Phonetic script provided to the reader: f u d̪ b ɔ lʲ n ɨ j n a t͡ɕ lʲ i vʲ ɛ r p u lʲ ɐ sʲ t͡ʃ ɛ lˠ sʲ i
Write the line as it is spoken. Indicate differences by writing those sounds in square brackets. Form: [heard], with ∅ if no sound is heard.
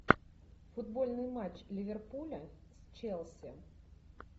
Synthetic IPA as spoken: f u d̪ b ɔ lʲ n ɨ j [m] a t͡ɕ lʲ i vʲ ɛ r p u lʲ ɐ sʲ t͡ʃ ɛ lˠ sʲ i

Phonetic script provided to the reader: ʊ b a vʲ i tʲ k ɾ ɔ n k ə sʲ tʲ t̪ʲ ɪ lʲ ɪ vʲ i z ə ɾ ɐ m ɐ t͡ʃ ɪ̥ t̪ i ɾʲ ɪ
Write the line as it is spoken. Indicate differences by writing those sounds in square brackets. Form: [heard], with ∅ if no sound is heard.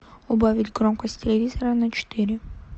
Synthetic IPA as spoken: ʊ b a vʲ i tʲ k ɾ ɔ [m] k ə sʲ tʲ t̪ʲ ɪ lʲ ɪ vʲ i z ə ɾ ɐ [n] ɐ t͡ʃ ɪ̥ t̪ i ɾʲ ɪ

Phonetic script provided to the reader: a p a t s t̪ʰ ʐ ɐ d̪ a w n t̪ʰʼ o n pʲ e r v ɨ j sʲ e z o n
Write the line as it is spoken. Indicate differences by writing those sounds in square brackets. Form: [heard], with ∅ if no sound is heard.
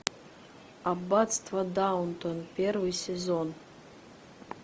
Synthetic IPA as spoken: a [b] a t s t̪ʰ [v] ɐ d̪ a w n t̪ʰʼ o n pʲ e r v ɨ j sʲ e z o n

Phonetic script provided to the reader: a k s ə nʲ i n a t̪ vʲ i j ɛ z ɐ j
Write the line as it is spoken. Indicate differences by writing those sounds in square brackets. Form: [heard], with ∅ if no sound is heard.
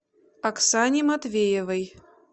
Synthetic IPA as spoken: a k s [a] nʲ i [m] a t̪ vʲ [e] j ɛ [v] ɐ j

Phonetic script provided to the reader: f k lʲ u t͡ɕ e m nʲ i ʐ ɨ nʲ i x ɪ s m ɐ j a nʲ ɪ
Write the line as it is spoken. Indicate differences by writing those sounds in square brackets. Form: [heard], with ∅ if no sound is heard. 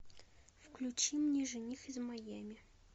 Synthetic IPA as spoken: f k lʲ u t͡ɕ [i] m nʲ i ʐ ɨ nʲ i x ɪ [z] m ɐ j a [mʲ] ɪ

